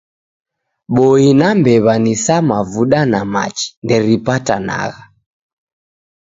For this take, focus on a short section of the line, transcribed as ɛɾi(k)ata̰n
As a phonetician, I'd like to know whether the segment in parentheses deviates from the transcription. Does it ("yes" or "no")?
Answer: yes